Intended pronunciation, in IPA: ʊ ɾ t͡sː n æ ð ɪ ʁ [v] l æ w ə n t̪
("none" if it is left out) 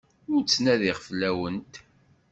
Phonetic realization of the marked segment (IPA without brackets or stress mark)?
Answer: f